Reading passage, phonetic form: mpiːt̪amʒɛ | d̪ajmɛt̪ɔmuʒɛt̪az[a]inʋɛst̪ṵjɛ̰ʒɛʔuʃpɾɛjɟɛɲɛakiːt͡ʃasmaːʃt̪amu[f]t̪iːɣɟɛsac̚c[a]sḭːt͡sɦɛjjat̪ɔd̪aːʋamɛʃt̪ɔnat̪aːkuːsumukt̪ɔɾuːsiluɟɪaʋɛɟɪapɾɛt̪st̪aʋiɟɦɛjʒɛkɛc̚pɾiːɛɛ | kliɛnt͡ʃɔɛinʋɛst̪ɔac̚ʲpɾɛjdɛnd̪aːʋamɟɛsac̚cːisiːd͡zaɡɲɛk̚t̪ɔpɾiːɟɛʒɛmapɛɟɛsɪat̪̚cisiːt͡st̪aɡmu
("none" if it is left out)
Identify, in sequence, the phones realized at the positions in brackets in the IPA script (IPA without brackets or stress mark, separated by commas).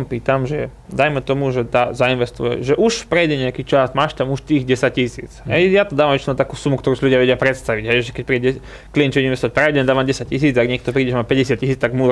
a, ʃ, i